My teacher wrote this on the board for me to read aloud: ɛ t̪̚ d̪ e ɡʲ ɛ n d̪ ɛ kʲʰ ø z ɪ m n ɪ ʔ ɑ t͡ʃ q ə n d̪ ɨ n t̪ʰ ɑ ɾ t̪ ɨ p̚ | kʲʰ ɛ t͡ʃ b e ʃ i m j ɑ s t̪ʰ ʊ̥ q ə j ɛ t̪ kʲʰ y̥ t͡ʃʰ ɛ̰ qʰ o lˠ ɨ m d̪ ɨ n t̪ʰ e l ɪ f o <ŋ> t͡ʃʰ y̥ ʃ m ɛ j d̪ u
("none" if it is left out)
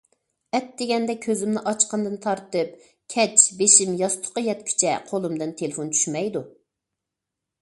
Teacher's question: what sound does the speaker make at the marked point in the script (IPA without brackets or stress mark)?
n